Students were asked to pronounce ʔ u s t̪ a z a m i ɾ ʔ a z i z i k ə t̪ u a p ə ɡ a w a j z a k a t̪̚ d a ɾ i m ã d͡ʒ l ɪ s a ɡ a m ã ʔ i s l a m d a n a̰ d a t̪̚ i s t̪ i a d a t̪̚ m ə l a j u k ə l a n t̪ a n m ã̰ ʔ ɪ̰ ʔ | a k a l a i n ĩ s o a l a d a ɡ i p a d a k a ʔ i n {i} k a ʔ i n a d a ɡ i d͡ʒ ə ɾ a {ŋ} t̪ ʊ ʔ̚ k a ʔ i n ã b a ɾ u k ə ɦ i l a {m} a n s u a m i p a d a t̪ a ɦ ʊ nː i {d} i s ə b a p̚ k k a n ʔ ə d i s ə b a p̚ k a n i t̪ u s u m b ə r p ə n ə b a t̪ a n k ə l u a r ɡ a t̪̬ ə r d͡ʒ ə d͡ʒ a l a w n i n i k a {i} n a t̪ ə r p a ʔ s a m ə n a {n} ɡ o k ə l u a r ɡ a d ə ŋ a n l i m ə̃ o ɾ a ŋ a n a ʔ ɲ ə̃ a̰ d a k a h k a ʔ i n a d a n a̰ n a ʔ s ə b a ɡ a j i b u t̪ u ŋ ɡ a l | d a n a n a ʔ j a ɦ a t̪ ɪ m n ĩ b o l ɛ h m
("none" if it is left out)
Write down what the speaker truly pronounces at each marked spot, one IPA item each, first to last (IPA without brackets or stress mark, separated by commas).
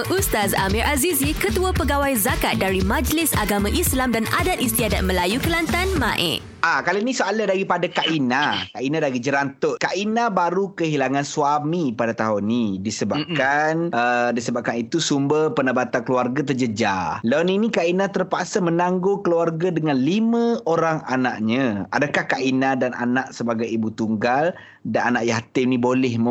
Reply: a, n, ŋ, d, i, ŋ